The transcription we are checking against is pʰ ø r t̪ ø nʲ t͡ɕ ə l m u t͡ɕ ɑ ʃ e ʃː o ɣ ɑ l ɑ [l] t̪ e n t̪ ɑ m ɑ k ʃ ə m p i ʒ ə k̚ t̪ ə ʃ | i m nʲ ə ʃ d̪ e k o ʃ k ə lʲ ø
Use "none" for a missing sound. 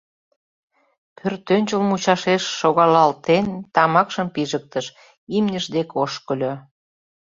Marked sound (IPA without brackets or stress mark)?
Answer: l